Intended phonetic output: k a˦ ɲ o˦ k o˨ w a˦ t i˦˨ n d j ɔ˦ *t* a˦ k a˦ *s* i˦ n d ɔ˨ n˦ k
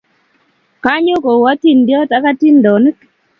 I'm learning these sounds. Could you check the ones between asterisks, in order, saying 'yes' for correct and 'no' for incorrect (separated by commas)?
yes, no